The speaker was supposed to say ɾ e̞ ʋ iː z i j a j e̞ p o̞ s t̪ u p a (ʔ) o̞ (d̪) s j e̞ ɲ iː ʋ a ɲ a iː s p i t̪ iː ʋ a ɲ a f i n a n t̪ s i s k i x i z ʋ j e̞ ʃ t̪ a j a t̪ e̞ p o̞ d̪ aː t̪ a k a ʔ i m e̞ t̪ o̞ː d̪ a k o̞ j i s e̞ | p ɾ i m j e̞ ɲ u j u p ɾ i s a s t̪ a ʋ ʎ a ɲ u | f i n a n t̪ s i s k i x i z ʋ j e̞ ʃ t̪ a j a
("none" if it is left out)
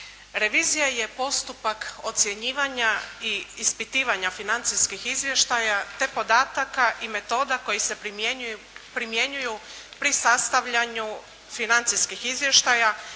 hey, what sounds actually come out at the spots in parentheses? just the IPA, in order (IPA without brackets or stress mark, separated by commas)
k, t̪